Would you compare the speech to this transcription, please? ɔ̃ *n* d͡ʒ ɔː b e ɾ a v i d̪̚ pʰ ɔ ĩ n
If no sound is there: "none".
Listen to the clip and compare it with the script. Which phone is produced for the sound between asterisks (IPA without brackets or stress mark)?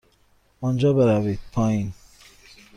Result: n